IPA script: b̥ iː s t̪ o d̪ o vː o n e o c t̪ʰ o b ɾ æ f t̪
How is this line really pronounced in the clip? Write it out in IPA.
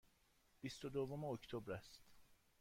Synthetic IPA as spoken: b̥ i s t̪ o d̪ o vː o m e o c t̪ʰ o b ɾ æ s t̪